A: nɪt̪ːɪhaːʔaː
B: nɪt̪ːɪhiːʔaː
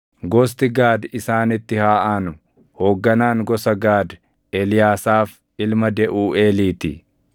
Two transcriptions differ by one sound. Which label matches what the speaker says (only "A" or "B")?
A